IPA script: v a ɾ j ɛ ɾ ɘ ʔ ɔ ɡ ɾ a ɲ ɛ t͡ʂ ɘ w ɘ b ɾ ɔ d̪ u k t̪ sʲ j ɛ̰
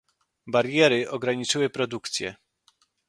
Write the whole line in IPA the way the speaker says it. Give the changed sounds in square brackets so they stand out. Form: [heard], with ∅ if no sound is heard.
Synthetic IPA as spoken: [b] a ɾ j ɛ ɾ ɘ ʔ ɔ ɡ ɾ a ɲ [i] t͡ʂ ɘ w ɘ [p] ɾ ɔ d̪ u k t̪ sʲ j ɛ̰